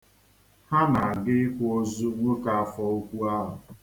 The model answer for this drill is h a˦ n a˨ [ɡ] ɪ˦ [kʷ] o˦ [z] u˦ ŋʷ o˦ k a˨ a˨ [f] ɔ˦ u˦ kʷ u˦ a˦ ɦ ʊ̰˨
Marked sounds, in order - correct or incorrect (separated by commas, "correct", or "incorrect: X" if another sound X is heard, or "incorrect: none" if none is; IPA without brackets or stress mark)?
correct, correct, correct, correct